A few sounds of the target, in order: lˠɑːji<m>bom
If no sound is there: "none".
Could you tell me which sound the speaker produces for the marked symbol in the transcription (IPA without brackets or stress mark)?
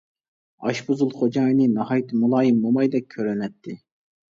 m